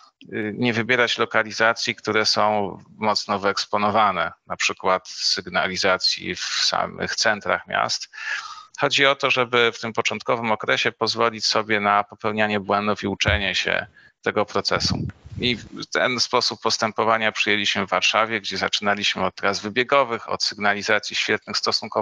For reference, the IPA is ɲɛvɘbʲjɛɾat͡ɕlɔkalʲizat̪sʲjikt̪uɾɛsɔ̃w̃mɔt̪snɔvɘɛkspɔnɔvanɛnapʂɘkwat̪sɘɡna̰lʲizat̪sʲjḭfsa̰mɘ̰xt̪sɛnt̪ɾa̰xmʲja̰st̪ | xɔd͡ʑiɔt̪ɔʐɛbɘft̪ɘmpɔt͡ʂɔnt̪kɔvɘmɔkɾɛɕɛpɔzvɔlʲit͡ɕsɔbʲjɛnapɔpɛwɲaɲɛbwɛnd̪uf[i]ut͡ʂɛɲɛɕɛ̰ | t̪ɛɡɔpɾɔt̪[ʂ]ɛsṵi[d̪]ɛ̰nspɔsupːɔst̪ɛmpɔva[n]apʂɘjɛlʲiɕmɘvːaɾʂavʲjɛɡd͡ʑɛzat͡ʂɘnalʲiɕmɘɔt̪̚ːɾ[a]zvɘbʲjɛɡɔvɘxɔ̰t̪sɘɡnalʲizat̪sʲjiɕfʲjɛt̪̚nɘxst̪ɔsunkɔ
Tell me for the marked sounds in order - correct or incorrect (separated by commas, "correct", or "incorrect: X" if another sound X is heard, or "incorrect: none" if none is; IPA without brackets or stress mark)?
correct, incorrect: s, incorrect: t̪, incorrect: ɲ, correct